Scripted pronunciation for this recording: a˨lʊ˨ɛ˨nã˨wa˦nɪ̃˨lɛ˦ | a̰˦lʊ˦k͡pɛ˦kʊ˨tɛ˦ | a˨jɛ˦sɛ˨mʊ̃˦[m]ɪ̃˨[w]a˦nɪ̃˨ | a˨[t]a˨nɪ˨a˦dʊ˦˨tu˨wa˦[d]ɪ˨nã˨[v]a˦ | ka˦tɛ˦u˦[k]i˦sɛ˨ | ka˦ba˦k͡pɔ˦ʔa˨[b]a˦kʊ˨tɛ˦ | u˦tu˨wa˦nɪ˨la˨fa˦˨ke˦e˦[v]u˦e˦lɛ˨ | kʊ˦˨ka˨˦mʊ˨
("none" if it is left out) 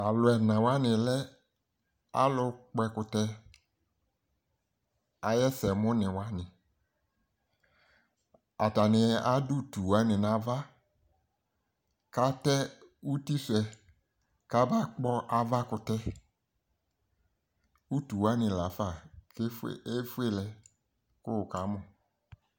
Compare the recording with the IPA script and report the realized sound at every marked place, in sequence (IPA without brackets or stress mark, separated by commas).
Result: n, w, t, n, v, t, v, f